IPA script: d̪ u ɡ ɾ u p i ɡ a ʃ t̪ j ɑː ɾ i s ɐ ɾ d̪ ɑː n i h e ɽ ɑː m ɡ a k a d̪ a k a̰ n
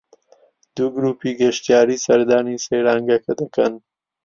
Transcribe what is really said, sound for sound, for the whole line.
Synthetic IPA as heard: d̪ u ɡ ɾ u p i ɡ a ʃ t̪ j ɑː ɾ i s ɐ ɾ d̪ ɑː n i s e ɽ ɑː ŋ ɡ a k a d̪ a k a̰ n